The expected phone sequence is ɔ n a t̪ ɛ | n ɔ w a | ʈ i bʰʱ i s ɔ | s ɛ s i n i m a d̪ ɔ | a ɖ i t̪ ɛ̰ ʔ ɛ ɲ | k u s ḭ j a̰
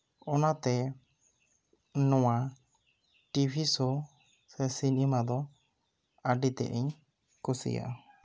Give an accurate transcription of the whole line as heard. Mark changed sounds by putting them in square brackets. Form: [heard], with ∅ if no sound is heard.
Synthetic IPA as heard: ɔ n a t̪ ɛ | n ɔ w a | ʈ i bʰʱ i s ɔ | s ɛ s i n i m a d̪ ɔ | a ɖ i t̪ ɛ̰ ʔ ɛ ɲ | k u s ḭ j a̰